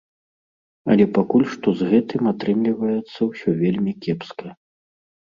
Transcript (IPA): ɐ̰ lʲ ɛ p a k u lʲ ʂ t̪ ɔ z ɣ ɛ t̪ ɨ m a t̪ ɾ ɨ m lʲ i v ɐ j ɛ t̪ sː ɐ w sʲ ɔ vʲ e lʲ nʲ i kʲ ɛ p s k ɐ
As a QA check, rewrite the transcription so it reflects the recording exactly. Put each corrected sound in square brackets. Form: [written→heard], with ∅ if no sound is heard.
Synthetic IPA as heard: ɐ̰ lʲ ɛ p a k u lʲ ʂ t̪ ɔ z ɣ ɛ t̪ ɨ m a t̪ ɾ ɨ m lʲ i v ɐ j ɛ t̪ sː ɐ w sʲ ɔ vʲ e lʲ [nʲ→mʲ] i kʲ ɛ p s k ɐ